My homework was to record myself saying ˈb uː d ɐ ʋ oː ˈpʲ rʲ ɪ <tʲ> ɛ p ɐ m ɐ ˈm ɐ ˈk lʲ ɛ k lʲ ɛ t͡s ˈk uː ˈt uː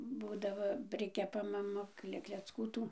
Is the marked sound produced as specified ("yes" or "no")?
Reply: no